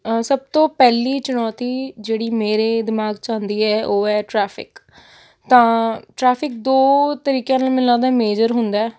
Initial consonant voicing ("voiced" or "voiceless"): voiceless